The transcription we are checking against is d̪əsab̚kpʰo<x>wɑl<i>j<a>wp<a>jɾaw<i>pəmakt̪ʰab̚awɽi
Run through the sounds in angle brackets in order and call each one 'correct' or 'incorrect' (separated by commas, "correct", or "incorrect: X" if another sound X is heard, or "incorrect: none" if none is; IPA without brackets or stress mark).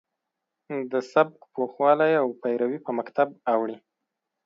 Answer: correct, incorrect: a, correct, correct, correct